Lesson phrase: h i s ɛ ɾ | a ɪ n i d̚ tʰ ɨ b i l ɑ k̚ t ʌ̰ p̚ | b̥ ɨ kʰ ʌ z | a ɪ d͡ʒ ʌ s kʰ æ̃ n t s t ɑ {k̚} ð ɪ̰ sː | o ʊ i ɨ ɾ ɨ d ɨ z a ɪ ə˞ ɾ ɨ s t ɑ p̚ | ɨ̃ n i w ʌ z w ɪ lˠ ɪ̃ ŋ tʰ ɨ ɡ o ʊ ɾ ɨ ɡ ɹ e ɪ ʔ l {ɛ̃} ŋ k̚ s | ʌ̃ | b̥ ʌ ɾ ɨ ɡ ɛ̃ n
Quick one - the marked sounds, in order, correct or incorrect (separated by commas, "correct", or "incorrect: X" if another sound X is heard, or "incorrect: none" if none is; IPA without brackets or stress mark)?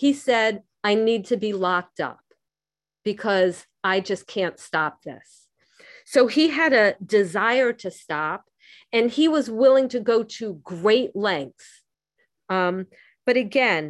incorrect: p̚, correct